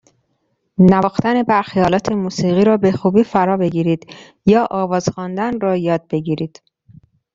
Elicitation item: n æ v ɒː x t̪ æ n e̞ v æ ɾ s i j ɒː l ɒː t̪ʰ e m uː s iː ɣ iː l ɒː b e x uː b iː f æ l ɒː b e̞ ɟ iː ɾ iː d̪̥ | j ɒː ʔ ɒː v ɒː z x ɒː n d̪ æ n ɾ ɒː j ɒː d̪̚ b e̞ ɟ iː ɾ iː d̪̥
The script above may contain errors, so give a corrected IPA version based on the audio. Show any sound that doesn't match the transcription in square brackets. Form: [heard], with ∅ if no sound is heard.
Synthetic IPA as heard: n æ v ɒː x t̪ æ n e̞ [b] æ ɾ [x] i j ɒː l ɒː t̪ʰ e m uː s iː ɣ iː [ɾ] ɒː b e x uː b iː f æ [ɾ] ɒː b e̞ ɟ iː ɾ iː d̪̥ | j ɒː ʔ ɒː v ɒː z x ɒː n d̪ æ n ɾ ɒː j ɒː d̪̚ b e̞ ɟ iː ɾ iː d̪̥